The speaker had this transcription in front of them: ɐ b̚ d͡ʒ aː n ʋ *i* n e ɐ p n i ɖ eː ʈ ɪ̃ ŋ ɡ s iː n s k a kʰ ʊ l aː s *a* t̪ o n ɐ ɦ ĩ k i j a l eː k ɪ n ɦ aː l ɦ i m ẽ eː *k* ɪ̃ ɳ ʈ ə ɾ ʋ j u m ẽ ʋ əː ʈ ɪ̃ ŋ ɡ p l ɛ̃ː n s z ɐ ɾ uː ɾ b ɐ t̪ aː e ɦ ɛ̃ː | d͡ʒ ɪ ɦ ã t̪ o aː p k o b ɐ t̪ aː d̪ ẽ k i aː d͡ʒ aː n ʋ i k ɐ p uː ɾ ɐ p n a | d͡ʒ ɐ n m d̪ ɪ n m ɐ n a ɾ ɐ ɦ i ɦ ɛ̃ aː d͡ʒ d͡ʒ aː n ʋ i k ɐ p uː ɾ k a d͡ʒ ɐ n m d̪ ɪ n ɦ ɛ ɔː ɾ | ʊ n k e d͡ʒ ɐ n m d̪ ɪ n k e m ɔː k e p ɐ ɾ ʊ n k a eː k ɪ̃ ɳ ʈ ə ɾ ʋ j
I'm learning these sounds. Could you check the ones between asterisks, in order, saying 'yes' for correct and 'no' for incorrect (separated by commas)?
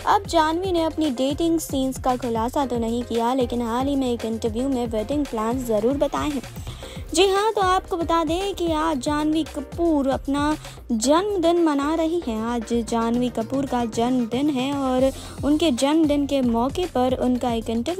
yes, yes, yes